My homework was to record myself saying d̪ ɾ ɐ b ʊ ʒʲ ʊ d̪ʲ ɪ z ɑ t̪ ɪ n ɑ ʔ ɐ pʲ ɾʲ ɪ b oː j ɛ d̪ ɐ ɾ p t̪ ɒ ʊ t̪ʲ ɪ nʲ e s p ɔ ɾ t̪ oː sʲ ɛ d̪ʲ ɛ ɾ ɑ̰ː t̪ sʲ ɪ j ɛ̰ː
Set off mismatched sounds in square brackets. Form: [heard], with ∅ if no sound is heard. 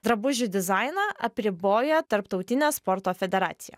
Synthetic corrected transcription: d̪ ɾ ɐ b ʊ ʒʲ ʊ d̪ʲ ɪ z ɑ [∅] ɪ n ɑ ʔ ɐ pʲ ɾʲ ɪ b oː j ɛ [t̪] ɐ ɾ p t̪ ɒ ʊ t̪ʲ ɪ nʲ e s p ɔ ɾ t̪ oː [fʲ] ɛ d̪ʲ ɛ ɾ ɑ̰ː t̪ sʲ ɪ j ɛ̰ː

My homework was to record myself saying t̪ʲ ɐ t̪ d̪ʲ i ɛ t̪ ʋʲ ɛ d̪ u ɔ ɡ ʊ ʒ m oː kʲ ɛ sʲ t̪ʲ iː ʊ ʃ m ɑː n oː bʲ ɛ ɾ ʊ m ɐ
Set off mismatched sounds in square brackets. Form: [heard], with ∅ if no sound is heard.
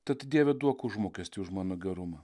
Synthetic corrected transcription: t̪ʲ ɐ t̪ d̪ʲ i ɛ [∅] ʋʲ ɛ d̪ u ɔ [k] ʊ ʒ m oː kʲ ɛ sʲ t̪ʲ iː ʊ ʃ m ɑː n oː [ɡʲ] ɛ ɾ ʊ m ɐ

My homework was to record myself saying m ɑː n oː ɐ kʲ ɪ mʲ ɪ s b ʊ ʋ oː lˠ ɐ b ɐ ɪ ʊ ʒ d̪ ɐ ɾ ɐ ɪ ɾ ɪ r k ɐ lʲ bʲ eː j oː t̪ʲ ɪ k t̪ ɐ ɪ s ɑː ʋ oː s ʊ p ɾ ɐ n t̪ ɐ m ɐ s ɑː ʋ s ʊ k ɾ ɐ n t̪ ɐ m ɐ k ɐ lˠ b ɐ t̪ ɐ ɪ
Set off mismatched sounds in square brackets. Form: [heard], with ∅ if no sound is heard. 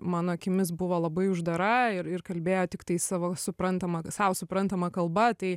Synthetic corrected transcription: m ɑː n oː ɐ kʲ ɪ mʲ ɪ s b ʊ ʋ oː lˠ ɐ b ɐ ɪ ʊ ʒ d̪ ɐ ɾ ɐ ɪ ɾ ɪ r k ɐ lʲ bʲ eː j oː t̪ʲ ɪ k t̪ ɐ ɪ s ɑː ʋ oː s ʊ p ɾ ɐ n t̪ ɐ m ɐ s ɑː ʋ s ʊ [p] ɾ ɐ n t̪ ɐ m ɐ k ɐ lˠ b ɐ t̪ ɐ ɪ

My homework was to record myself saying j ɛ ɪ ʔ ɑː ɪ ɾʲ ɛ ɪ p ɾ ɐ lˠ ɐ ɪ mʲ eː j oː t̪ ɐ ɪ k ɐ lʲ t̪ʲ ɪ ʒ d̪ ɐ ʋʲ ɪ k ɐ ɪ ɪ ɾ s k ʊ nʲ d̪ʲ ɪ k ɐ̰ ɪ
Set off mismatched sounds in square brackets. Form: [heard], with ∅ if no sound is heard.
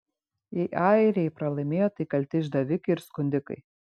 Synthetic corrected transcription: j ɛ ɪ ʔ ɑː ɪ ɾʲ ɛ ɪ p ɾ ɐ lˠ ɐ ɪ mʲ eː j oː t̪ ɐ ɪ k ɐ lʲ t̪ʲ ɪ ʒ d̪ ɐ ʋʲ ɪ k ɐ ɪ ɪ ɾ s k ʊ nʲ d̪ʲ ɪ k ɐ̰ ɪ

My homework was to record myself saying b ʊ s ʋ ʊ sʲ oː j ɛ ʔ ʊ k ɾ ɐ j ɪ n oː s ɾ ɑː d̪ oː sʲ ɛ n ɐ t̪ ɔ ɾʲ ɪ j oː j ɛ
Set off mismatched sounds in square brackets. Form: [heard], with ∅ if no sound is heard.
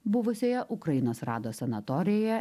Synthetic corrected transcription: b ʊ [∅] ʋ ʊ sʲ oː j ɛ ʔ ʊ k ɾ ɐ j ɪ n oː s ɾ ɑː d̪ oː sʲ ɛ n ɐ t̪ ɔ ɾʲ ɪ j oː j ɛ

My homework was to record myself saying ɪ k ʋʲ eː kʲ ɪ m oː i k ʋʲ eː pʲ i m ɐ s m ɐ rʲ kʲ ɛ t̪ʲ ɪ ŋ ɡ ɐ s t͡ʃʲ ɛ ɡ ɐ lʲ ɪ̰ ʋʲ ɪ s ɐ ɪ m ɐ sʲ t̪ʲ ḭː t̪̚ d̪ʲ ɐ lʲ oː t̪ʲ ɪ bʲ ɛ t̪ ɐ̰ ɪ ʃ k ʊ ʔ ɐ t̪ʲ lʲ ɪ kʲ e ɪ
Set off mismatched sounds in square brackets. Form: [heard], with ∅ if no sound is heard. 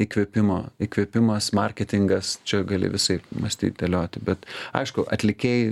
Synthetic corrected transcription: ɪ k ʋʲ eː [pʲ] ɪ m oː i k ʋʲ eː pʲ [ɪ] m ɐ s m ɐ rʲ kʲ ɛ t̪ʲ ɪ ŋ ɡ ɐ s t͡ʃʲ ɛ ɡ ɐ lʲ ɪ̰ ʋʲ ɪ s ɐ ɪ m ɐ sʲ t̪ʲ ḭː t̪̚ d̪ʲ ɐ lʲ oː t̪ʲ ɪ bʲ ɛ t̪ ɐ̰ ɪ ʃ k ʊ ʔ ɐ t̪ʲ lʲ ɪ kʲ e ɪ

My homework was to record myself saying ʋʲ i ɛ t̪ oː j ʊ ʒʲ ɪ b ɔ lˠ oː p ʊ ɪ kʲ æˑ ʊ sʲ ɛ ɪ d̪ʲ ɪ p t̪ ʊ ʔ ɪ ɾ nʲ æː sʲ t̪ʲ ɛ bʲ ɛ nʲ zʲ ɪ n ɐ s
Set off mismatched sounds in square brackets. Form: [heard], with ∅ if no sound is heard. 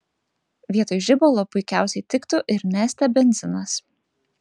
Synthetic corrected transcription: ʋʲ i ɛ t̪ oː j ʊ ʒʲ ɪ b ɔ lˠ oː p ʊ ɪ kʲ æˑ ʊ sʲ ɛ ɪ [t̪ʲ] ɪ [k] t̪ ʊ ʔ ɪ ɾ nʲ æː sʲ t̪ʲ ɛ bʲ ɛ nʲ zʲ ɪ n ɐ s

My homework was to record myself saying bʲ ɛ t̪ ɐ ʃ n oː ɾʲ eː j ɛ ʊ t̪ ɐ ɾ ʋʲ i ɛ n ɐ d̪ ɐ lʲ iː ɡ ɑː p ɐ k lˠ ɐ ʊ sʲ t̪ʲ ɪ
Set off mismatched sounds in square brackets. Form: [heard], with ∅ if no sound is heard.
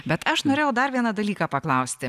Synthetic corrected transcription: bʲ ɛ t̪ ɐ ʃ n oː ɾʲ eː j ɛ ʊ [d̪] ɐ ɾ ʋʲ i ɛ n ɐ d̪ ɐ lʲ iː [k] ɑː p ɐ k lˠ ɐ ʊ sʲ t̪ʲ ɪ

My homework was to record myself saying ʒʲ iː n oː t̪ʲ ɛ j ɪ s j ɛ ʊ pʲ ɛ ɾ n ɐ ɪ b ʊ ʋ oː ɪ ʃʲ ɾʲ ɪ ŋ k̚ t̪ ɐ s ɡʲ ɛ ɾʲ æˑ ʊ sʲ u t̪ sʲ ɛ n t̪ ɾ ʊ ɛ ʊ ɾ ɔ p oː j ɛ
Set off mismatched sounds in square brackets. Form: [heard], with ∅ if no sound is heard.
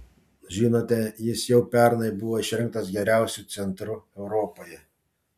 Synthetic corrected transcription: ʒʲ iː n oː t̪ʲ ɛ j ɪ s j ɛ ʊ pʲ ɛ ɾ n ɐ ɪ b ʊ ʋ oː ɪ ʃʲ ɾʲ ɪ ŋ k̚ t̪ ɐ s ɡʲ ɛ ɾʲ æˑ ʊ sʲ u t̪ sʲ ɛ n t̪ ɾ ʊ ɛ ʊ ɾ ɔ p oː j ɛ

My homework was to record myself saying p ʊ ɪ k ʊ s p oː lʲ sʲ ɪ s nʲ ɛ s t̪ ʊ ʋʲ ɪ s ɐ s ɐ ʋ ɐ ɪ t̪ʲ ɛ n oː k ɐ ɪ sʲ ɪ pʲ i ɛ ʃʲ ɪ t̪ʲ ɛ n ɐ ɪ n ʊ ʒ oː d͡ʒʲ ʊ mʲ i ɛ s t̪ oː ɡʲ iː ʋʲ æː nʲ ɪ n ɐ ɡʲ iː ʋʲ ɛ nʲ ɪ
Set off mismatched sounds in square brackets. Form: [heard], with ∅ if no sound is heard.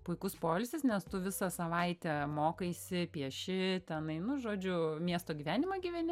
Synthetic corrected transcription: p ʊ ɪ k ʊ s p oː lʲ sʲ ɪ s nʲ ɛ s t̪ ʊ ʋʲ ɪ s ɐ s ɐ ʋ ɐ ɪ t̪ʲ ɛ [m] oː k ɐ ɪ sʲ ɪ pʲ i ɛ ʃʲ ɪ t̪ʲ ɛ n ɐ ɪ n ʊ ʒ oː d͡ʒʲ ʊ mʲ i ɛ s t̪ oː ɡʲ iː ʋʲ æː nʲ ɪ [m] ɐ ɡʲ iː ʋʲ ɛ nʲ ɪ

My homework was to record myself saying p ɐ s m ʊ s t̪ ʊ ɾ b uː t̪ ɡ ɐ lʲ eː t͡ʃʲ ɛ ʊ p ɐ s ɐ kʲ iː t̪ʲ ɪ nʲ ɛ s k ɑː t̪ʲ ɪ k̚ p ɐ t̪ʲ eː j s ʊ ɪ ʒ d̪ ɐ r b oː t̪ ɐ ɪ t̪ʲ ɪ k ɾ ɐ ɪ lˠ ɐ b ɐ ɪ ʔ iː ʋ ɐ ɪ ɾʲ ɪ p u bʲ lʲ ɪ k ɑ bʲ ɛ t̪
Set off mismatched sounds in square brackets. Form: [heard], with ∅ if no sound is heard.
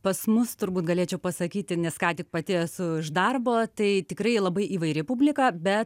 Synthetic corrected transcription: p ɐ s m ʊ s t̪ ʊ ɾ b uː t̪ ɡ ɐ lʲ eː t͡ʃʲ ɛ ʊ p ɐ s ɐ kʲ iː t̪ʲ ɪ nʲ ɛ s k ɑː t̪ʲ ɪ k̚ p ɐ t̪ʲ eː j s ʊ ɪ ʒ d̪ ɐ r b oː t̪ ɐ ɪ t̪ʲ ɪ k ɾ ɐ ɪ lˠ ɐ b ɐ ɪ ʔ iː ʋ ɐ ɪ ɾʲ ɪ p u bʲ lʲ ɪ k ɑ bʲ ɛ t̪

